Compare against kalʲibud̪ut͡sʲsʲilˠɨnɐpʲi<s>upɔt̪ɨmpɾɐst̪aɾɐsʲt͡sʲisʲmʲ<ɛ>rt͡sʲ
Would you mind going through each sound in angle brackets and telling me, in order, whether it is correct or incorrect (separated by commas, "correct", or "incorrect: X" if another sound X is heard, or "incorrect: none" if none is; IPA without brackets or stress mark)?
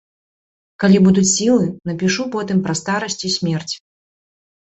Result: incorrect: ʂ, correct